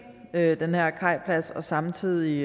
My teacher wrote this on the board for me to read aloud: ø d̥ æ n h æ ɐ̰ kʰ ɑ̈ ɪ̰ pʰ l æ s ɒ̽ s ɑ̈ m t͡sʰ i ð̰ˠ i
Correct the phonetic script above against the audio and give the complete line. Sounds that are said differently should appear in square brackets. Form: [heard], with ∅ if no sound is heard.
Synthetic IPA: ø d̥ [e] n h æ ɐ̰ kʰ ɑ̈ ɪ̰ pʰ l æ s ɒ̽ s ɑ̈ m t͡sʰ i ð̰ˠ i